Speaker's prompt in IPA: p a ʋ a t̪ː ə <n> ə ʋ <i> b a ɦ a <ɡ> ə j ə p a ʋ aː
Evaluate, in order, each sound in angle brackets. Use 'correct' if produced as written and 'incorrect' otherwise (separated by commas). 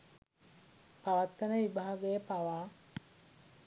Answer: correct, correct, correct